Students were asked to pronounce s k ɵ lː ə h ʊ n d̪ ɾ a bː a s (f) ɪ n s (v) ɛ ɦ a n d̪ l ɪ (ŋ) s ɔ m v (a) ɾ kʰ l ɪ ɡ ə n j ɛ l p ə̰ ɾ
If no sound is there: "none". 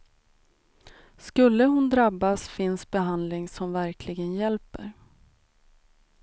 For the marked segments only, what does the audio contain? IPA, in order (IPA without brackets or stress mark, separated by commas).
f, b, ŋ, æ